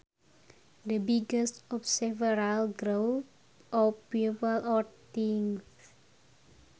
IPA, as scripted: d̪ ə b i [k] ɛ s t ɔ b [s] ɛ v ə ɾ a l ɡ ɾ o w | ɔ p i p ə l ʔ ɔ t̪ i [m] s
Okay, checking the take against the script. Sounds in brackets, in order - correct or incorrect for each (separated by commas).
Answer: incorrect, correct, incorrect